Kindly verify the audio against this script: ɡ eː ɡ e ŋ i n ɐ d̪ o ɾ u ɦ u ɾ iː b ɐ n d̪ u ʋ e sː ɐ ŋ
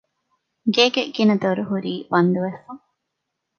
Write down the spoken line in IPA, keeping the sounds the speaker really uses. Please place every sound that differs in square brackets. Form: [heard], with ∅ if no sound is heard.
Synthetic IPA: ɡ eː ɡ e [ɡ] i n ɐ d̪ o ɾ u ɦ u ɾ iː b ɐ n d̪ u ʋ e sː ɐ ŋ